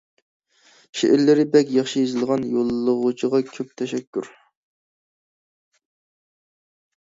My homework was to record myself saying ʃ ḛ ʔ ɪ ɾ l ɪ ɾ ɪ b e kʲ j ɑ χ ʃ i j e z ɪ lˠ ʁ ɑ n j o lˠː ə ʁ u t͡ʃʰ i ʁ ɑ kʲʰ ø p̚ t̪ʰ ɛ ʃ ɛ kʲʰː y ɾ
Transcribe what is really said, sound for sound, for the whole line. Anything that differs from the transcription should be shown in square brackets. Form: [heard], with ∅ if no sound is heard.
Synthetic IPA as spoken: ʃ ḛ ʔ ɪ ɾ l ɪ ɾ ɪ b [ɛ] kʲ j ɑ χ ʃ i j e z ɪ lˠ ʁ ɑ n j o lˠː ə ʁ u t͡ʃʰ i ʁ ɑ kʲʰ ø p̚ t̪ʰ ɛ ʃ ɛ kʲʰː y ɾ